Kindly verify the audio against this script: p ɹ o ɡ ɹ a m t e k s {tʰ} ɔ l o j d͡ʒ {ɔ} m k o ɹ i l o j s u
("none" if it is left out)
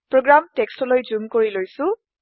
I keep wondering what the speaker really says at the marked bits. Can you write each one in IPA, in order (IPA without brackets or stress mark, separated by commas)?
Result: t, u